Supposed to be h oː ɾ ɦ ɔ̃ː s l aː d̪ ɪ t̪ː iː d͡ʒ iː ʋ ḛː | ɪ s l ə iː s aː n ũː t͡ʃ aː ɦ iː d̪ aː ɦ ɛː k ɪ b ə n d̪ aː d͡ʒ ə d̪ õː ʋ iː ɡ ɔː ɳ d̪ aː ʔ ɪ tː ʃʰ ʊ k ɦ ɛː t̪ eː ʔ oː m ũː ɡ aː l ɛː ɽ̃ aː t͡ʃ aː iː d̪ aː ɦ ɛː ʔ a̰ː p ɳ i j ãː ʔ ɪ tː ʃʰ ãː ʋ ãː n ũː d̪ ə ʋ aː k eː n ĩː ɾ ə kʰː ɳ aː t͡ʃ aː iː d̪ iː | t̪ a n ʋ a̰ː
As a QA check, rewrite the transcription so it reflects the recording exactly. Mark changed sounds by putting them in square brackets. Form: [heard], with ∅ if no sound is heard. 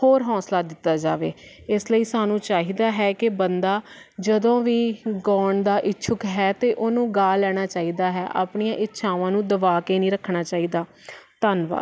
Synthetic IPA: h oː ɾ ɦ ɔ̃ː s l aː d̪ ɪ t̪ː [aː] d͡ʒ [aː] ʋ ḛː | ɪ s l ə iː s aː n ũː t͡ʃ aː ɦ iː d̪ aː ɦ ɛː k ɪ b ə n d̪ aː d͡ʒ ə d̪ õː ʋ iː ɡ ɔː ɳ d̪ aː ʔ ɪ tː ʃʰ ʊ k ɦ ɛː t̪ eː ʔ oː [n] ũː ɡ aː l ɛː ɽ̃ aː t͡ʃ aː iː d̪ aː ɦ ɛː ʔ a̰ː p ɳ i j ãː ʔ ɪ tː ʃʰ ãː ʋ ãː n ũː d̪ ə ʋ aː k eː n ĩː ɾ ə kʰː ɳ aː t͡ʃ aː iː d̪ [aː] | t̪ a n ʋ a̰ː

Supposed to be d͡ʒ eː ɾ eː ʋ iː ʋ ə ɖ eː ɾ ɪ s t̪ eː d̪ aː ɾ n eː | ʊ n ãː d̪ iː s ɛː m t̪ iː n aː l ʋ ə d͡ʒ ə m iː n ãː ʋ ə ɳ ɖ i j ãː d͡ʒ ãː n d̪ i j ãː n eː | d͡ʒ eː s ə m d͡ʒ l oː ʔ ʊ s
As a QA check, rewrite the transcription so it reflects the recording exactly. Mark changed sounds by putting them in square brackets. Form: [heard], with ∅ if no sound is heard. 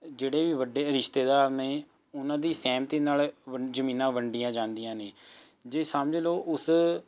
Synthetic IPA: d͡ʒ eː [ɽ] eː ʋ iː ʋ ə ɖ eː ɾ ɪ [ʃ] t̪ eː d̪ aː ɾ n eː | ʊ n ãː d̪ iː s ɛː m t̪ iː n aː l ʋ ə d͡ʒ ə m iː n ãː ʋ ə ɳ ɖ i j ãː d͡ʒ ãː n d̪ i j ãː n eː | d͡ʒ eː s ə m d͡ʒ l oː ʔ ʊ s

